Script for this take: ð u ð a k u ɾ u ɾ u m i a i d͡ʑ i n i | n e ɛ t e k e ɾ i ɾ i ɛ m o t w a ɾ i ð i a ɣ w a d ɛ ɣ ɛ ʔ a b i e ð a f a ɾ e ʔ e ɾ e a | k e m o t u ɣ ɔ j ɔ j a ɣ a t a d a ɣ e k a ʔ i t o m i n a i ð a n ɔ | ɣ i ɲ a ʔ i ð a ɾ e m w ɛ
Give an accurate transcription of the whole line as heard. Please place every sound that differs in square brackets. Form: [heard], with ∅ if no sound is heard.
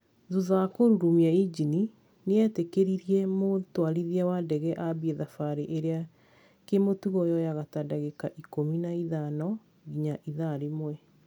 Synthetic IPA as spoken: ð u ð a k [o] ɾ u ɾ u m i a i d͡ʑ i n i | n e ɛ t e k e ɾ i ɾ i ɛ m o t w a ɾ i ð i a [∅] w a d ɛ ɣ ɛ ʔ a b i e ð a f a ɾ e ʔ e ɾ e a | k e m o t u ɣ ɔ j ɔ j a ɣ a t a d a ɣ e k a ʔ i [k] o m i n a i ð a n ɔ | ɣ i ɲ a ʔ i ð a ɾ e m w ɛ